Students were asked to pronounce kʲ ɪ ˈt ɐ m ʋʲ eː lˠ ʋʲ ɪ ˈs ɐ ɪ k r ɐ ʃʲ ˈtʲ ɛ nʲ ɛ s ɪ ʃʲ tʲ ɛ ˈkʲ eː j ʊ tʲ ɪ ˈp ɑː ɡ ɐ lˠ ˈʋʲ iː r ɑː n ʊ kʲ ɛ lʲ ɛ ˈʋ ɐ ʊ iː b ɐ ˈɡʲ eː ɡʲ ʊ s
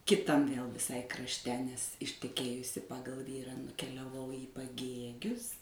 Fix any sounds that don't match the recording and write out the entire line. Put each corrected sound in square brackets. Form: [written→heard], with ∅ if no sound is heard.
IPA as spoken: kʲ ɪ ˈt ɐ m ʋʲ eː lˠ ʋʲ ɪ ˈs ɐ ɪ k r ɐ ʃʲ ˈtʲ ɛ nʲ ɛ s ɪ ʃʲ tʲ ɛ ˈkʲ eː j ʊ [tʲ→sʲ] ɪ ˈp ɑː ɡ ɐ lˠ ˈʋʲ iː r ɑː n ʊ kʲ ɛ lʲ ɛ ˈʋ ɐ ʊ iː [b→p] ɐ ˈɡʲ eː ɡʲ ʊ s